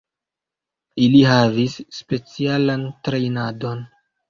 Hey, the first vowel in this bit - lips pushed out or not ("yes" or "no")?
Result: no